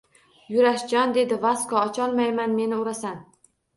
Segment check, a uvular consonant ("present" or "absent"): absent